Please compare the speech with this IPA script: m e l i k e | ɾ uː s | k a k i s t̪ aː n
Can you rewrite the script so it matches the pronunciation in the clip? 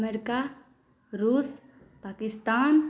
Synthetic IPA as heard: m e ɾ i k a | ɾ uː s | p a k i s t̪ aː n